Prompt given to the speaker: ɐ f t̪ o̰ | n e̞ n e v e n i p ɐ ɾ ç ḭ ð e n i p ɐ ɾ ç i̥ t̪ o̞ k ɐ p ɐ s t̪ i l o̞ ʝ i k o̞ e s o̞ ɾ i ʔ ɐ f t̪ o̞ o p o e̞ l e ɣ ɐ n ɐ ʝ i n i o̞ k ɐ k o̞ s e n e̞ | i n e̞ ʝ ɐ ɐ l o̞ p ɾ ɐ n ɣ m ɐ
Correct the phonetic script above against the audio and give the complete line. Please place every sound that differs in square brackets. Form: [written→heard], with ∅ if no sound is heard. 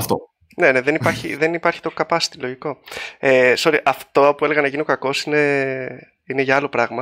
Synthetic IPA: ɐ f t̪ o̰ | n e̞ n e [v→ð] e n i p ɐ ɾ ç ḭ ð e n i p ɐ ɾ ç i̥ t̪ o̞ k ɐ p ɐ s t̪ i l o̞ ʝ i k o̞ e s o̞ ɾ i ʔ ɐ f t̪ o̞ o p [o→u] e̞ l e ɣ ɐ n ɐ ʝ i n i o̞ k ɐ k o̞ s [e→i] n e̞ | i n e̞ ʝ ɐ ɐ l o̞ p ɾ ɐ [n→∅] ɣ m ɐ